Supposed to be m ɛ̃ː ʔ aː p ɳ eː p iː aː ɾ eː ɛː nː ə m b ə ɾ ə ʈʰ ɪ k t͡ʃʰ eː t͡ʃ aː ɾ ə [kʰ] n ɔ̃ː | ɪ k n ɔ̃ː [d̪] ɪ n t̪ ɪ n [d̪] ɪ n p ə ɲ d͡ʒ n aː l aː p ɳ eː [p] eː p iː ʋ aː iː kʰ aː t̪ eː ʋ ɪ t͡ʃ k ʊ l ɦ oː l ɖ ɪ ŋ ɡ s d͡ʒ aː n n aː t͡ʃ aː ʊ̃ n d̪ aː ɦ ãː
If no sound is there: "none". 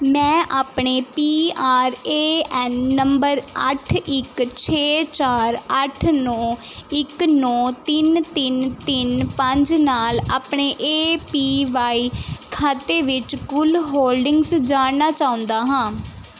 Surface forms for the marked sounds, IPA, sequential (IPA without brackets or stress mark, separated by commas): ʈʰ, t̪, t̪, ʔ